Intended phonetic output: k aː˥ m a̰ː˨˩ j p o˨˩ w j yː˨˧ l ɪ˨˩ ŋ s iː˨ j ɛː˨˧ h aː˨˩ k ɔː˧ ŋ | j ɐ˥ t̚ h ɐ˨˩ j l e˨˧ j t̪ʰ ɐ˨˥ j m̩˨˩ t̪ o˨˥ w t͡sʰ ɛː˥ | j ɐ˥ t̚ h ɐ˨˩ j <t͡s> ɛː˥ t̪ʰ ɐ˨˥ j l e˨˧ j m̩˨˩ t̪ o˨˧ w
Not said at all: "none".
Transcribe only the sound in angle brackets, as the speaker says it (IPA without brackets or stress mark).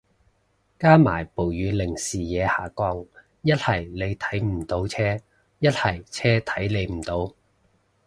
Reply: t͡sʰ